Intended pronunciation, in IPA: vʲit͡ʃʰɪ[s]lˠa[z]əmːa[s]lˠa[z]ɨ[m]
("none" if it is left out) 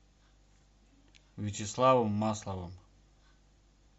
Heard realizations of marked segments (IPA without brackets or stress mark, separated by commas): s, v, s, v, m